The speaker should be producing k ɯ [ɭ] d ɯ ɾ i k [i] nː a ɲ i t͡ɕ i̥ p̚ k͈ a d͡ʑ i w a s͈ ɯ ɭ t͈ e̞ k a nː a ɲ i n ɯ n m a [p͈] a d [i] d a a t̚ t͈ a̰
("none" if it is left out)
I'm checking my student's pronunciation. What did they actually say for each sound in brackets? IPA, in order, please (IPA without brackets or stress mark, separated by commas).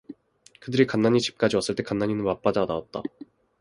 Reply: none, a, p͈, a